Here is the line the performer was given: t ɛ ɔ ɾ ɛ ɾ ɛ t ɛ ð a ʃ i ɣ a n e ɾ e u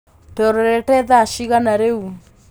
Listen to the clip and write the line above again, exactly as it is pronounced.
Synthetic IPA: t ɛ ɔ ɾ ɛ ɾ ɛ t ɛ ð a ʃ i ɣ a n a ɾ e u